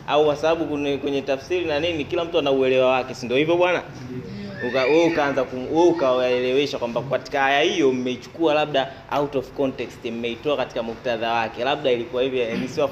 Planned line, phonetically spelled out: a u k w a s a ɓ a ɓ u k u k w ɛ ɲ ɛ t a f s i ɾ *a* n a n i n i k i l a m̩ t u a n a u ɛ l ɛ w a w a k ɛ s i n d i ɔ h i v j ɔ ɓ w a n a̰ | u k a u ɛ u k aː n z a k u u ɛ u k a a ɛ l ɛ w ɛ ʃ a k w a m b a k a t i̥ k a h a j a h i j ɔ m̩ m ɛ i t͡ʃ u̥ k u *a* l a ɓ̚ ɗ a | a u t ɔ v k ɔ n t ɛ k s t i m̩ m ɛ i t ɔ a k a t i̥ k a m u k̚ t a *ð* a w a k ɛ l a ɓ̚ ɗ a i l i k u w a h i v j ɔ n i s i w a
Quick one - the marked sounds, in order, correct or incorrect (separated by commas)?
incorrect, correct, correct